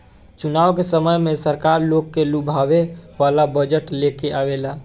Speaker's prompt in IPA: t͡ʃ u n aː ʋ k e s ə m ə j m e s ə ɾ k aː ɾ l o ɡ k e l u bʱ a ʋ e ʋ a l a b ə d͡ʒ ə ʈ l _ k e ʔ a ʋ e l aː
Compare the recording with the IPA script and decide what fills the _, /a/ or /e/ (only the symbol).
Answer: e